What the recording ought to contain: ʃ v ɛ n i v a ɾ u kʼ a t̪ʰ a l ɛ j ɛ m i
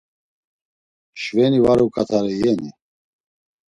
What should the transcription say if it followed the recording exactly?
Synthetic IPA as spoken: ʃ v ɛ n i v a ɾ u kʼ a t̪ʰ a ɾ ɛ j ɛ n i